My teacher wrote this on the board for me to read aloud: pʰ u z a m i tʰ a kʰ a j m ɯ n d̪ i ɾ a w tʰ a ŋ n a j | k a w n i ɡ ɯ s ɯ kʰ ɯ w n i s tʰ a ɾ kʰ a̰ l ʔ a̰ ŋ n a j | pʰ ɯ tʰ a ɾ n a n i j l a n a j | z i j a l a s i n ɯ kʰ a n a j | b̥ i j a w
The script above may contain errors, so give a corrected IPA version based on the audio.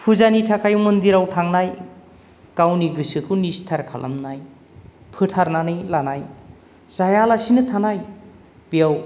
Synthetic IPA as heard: pʰ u z a n i tʰ a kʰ a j m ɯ n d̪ i ɾ a w tʰ a ŋ n a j | k a w n i ɡ ɯ s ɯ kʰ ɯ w n i s tʰ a ɾ kʰ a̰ l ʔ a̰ m n a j | pʰ ɯ tʰ a ɾ n a n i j l a n a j | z a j a l a s i n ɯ tʰ a n a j | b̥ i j a w